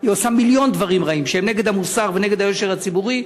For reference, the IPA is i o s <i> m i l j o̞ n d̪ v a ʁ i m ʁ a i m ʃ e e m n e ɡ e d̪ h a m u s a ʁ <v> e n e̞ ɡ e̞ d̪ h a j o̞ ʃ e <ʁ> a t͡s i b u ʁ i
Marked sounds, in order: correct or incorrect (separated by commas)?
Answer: incorrect, correct, correct